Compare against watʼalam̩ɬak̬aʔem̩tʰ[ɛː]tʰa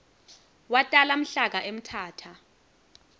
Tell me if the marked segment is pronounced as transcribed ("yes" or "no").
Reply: no